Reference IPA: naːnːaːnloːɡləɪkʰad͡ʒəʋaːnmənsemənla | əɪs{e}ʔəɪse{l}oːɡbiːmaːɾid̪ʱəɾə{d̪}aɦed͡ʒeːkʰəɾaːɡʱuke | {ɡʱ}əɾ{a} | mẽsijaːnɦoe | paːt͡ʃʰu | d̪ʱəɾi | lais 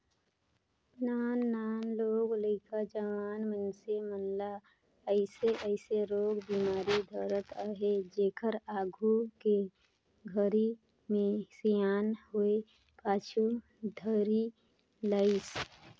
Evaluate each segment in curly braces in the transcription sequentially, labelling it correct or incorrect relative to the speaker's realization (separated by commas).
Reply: correct, incorrect, incorrect, correct, incorrect